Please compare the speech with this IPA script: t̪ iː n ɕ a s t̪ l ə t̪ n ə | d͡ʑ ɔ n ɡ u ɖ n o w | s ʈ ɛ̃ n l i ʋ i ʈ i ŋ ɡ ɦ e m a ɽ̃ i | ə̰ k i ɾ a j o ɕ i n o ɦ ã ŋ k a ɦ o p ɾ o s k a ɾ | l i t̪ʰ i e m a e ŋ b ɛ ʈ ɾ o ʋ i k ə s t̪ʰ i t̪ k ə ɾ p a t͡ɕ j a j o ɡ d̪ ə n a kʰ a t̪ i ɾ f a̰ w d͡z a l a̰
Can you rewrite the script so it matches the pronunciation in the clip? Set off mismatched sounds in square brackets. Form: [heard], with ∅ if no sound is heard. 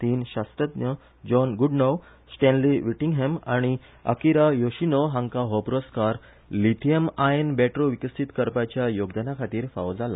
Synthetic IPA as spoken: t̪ iː n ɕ a s t̪ [ɾ] ə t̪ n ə | d͡ʑ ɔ n ɡ u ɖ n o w | s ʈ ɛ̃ n l i ʋ i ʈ i ŋ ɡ ɦ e m a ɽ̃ i | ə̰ k i ɾ a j o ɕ i n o ɦ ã ŋ k a ɦ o p ɾ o s k a ɾ | l i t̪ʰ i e m a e [n] b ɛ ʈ ɾ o ʋ i k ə s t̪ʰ i t̪ k ə ɾ p a t͡ɕ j a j o ɡ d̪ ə n a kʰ a t̪ [iː] ɾ f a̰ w d͡z a l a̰